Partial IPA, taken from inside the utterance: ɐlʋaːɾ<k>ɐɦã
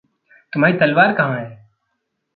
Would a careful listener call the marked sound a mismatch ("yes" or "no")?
no